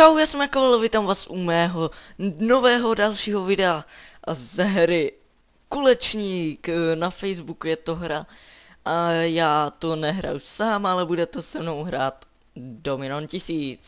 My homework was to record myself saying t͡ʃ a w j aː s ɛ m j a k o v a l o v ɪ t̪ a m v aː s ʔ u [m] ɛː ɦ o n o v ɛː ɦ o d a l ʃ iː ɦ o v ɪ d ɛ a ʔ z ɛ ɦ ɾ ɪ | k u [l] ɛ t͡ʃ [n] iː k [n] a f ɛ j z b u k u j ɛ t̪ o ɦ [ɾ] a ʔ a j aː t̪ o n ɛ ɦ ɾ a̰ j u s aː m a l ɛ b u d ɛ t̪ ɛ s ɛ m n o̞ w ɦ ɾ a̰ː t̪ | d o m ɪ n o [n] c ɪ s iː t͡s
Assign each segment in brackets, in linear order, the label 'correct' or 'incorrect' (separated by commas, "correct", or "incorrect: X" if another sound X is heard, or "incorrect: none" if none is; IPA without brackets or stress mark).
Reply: correct, correct, incorrect: ɲ, correct, correct, correct